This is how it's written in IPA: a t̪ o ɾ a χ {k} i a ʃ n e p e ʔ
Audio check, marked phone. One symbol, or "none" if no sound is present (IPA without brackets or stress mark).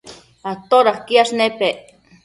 k